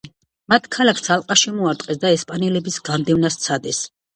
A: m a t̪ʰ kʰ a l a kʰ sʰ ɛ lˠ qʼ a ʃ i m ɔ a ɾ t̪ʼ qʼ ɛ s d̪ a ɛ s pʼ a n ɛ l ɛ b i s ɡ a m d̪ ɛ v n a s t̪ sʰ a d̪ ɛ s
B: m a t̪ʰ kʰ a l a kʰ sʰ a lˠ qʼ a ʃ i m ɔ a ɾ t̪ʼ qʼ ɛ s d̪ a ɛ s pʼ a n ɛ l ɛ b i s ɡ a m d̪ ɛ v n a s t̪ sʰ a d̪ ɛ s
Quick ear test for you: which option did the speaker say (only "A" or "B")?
B